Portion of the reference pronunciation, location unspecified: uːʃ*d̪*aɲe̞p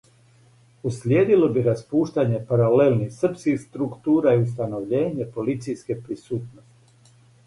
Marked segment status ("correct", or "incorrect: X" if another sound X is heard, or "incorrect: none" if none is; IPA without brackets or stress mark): incorrect: t̪